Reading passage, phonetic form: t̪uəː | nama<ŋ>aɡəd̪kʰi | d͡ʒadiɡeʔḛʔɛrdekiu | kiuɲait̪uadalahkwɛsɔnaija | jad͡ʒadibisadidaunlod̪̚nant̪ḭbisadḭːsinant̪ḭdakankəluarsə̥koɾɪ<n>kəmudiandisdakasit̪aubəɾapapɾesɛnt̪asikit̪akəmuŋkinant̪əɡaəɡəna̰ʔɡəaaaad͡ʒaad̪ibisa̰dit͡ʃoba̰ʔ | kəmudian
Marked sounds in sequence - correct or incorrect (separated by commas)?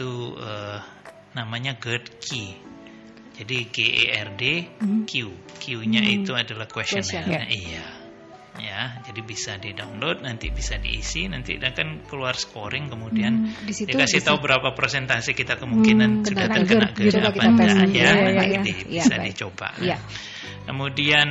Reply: incorrect, incorrect